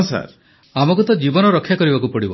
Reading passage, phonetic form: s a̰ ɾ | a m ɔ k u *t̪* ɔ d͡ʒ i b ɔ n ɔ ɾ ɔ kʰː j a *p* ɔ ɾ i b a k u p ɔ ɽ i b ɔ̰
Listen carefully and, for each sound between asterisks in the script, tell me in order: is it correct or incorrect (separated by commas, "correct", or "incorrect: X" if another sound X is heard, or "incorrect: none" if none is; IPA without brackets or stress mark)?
correct, incorrect: k